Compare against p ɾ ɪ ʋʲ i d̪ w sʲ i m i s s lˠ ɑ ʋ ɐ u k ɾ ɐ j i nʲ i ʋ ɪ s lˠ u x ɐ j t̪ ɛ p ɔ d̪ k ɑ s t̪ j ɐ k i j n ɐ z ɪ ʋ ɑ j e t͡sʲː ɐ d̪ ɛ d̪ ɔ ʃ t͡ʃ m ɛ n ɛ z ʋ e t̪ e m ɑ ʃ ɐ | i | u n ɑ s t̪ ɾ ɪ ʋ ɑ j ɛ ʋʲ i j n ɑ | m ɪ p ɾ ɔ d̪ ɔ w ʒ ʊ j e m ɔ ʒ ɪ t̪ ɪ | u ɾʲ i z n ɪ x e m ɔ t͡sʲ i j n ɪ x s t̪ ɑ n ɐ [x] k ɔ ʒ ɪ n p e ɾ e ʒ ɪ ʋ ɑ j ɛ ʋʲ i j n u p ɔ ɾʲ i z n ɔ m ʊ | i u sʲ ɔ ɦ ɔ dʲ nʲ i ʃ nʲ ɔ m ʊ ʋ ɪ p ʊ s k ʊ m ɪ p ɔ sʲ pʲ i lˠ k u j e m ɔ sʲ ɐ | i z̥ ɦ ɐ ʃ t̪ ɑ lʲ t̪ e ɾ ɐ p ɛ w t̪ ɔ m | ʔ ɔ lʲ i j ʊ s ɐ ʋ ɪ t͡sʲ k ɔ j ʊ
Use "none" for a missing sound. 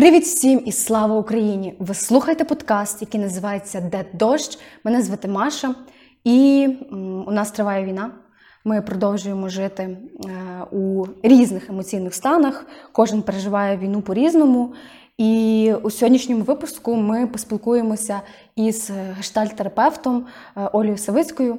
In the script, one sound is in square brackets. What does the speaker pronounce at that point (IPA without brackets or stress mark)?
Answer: x